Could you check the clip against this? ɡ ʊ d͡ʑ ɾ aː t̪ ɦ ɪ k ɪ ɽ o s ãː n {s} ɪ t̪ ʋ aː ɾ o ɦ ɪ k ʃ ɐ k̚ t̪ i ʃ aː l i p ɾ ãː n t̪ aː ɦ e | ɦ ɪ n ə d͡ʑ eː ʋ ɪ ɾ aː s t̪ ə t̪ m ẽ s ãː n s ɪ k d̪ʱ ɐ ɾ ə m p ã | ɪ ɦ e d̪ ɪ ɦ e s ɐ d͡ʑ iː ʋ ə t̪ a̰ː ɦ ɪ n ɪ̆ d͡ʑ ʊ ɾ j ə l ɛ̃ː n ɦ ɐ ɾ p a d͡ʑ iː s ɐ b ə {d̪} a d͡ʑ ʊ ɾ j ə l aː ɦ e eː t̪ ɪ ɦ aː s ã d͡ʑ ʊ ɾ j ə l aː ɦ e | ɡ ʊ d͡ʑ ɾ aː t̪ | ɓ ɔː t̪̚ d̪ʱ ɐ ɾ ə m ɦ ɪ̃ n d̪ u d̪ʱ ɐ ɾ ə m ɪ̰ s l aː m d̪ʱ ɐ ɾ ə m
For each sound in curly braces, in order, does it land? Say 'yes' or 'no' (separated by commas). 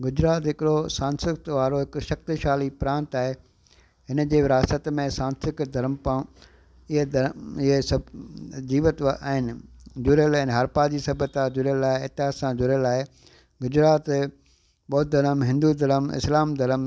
yes, no